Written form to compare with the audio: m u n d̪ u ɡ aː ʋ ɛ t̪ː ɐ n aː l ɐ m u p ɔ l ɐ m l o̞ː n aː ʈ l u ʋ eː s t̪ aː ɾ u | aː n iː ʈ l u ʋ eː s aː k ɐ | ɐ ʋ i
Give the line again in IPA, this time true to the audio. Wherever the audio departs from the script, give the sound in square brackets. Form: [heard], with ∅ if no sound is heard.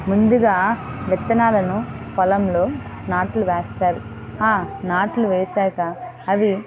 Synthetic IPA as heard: m u n d̪ u ɡ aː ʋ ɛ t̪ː ɐ n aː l ɐ [n] u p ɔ l ɐ m l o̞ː n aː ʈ l u ʋ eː s t̪ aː ɾ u | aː n [aː] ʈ l u ʋ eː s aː k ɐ | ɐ ʋ i